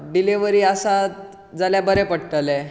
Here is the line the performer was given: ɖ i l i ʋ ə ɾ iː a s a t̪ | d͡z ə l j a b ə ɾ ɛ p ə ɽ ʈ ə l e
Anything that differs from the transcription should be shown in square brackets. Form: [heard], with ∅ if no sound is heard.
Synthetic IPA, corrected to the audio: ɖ i l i ʋ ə ɾ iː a s a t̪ | d͡z [a] l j a b ə ɾ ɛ p ə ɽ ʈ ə l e